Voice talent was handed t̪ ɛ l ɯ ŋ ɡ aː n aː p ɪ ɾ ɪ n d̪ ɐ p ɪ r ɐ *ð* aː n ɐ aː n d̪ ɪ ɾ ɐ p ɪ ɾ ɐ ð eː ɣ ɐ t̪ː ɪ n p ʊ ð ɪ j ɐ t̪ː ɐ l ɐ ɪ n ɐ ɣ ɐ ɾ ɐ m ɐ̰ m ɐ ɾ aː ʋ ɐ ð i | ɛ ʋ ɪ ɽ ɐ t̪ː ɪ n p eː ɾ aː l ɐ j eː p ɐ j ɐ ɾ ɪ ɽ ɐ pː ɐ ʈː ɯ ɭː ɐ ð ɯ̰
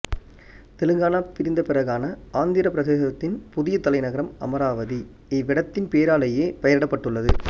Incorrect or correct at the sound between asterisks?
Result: incorrect: ɣ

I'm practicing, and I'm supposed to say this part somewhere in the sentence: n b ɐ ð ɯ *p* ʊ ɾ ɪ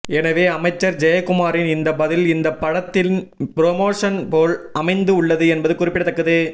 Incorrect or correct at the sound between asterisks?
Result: incorrect: k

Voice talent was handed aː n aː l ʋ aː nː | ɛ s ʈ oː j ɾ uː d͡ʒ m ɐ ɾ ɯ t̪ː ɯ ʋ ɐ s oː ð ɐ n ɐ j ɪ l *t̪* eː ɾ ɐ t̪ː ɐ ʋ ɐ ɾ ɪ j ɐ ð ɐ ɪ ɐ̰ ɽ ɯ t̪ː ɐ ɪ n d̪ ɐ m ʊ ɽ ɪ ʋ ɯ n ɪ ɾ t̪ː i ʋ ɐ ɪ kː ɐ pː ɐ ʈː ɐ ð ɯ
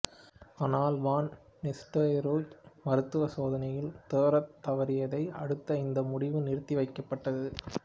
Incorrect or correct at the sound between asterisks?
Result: correct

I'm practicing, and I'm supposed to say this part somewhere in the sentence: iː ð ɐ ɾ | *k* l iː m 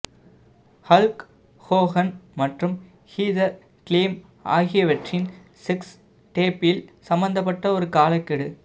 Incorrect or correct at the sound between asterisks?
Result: correct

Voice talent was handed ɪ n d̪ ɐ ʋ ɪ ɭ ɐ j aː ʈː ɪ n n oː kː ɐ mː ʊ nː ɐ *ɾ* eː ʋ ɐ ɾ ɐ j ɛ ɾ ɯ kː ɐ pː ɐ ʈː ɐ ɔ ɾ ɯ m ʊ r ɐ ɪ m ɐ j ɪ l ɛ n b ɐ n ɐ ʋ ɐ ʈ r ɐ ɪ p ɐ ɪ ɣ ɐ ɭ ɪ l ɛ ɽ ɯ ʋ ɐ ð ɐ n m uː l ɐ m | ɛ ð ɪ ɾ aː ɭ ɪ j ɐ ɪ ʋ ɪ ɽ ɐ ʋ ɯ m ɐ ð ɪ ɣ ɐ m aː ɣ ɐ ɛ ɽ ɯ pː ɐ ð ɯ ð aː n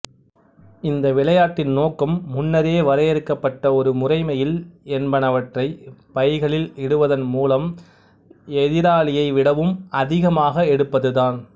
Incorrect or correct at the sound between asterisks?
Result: correct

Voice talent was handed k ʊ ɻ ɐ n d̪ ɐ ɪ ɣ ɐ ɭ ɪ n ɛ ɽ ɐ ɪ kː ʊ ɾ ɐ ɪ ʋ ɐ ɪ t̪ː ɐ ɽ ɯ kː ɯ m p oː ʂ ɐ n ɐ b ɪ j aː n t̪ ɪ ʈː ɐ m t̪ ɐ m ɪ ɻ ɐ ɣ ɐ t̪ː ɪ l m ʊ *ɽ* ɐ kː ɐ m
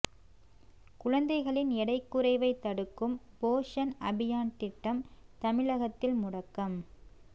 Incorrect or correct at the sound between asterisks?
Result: correct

